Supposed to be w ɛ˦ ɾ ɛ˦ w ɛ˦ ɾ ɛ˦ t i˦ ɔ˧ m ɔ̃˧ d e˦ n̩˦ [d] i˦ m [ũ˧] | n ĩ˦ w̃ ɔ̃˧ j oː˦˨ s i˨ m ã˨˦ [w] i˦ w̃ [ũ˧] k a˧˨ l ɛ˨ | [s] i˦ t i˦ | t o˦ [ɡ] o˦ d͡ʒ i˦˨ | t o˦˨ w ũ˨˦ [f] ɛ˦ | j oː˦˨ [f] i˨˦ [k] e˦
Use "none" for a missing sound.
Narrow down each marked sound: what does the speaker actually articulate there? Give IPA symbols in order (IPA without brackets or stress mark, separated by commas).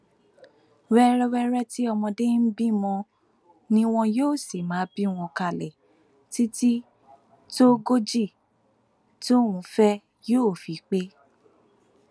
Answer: b, ɔ̃˧, b, ɔ̃˧, t, ɡ, f, f, k͡p